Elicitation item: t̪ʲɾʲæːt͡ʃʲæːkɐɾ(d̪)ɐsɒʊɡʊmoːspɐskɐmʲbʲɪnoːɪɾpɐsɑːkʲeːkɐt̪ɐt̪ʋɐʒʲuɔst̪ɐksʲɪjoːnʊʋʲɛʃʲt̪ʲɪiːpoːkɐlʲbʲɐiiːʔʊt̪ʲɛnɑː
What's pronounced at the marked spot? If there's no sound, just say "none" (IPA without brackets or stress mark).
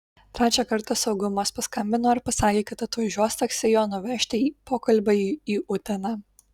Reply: t̪